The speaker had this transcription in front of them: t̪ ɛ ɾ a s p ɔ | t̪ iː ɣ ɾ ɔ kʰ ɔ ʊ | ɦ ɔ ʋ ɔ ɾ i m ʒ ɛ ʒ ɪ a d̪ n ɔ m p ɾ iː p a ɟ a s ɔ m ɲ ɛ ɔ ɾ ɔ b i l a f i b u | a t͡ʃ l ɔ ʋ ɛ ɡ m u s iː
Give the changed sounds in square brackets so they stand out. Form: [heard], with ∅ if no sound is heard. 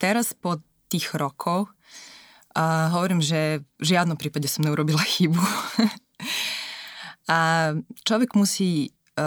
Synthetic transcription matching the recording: t̪ ɛ ɾ a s p ɔ | t̪ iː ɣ ɾ ɔ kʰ ɔ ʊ | ɦ ɔ ʋ ɔ ɾ [iː] m ʒ ɛ ʒ ɪ a d̪ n ɔ m p ɾ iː p a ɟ [ɛ] s ɔ m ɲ ɛ [u] ɾ ɔ b i l a [x] i b u | a t͡ʃ l ɔ ʋ ɛ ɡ m u s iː